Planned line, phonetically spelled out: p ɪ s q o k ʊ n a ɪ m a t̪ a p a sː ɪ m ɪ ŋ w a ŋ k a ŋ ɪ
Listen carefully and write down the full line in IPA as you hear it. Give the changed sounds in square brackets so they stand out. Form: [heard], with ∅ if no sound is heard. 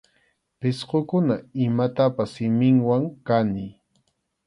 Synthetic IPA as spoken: p ɪ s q o k ʊ n a ɪ m a t̪ a p a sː ɪ m ɪ ŋ w a ŋ k a [n] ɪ